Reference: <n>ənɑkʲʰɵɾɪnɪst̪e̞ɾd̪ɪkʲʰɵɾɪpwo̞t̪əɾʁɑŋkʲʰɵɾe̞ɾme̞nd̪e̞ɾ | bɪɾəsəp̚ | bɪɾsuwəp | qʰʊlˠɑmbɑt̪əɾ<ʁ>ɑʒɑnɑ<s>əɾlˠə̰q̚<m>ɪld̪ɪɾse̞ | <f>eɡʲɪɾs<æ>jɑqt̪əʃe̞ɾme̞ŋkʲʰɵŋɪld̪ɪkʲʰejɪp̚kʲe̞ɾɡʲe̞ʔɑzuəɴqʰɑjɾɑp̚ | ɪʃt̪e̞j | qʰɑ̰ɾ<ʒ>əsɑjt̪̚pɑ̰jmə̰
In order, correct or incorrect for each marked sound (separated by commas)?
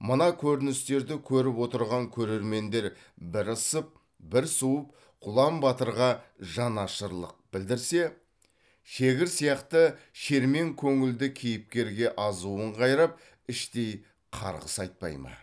incorrect, correct, incorrect, incorrect, incorrect, incorrect, incorrect